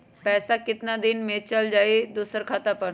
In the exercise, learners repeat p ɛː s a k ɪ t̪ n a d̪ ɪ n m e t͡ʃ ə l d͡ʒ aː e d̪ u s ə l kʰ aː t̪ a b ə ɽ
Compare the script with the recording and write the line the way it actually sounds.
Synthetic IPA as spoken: p ɛː s a k ɪ t̪ n a d̪ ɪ n m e t͡ʃ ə l d͡ʒ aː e d̪ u s ə ɾ kʰ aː t̪ a p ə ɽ